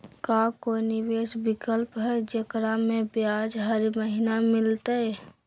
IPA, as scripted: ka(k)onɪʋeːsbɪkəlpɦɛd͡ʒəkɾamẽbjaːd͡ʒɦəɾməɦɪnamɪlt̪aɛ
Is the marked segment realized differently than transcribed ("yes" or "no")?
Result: no